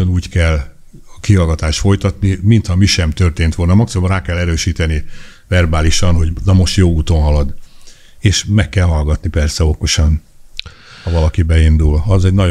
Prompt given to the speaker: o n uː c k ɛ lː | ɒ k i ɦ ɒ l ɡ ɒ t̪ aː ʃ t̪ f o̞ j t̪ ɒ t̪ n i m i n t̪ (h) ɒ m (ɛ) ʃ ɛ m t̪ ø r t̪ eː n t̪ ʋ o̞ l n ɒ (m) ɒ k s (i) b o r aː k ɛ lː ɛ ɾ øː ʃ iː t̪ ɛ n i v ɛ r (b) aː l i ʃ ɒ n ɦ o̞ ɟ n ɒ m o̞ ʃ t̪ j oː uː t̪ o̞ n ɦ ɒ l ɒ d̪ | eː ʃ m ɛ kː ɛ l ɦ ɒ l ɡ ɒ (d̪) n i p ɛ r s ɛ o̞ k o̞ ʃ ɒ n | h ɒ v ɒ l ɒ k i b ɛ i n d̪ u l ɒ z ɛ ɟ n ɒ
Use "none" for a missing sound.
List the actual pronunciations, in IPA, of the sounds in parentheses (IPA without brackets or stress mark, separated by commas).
h, i, m, i, b, t̪